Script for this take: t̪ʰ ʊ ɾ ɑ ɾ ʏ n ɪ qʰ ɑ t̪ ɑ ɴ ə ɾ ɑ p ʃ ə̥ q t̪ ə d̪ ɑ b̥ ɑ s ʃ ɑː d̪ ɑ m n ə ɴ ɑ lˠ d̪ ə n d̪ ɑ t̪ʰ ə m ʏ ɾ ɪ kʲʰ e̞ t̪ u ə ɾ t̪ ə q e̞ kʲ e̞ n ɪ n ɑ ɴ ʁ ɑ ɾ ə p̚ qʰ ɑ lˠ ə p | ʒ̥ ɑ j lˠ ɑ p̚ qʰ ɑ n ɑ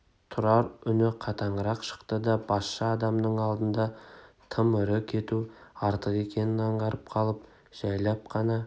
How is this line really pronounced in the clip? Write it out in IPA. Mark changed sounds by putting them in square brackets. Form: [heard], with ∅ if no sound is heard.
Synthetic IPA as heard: t̪ʰ ʊ ɾ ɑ ɾ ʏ n ɪ qʰ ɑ t̪ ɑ ɴ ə ɾ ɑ [q] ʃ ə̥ q t̪ ə d̪ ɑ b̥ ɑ s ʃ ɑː d̪ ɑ m n ə ɴ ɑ lˠ d̪ ə n d̪ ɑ t̪ʰ ə m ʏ ɾ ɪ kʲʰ e̞ t̪ u [ɑ] ɾ t̪ ə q e̞ kʲ e̞ n ɪ n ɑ ɴ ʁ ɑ ɾ ə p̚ qʰ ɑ lˠ ə p | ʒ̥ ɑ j lˠ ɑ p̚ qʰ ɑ n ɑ